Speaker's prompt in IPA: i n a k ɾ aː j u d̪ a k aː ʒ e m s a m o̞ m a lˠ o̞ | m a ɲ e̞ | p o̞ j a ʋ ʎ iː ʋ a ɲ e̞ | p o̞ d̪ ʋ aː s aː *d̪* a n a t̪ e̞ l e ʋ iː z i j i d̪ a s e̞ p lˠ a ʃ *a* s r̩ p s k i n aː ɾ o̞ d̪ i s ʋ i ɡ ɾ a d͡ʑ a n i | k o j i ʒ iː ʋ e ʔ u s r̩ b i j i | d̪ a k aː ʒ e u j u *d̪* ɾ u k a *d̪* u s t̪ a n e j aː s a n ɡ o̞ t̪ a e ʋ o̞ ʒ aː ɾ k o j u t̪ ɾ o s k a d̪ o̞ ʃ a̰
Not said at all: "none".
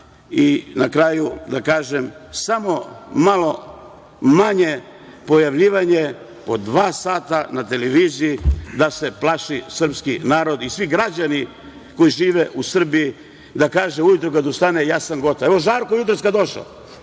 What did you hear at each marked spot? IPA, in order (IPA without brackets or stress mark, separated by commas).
t̪, i, t̪, d̪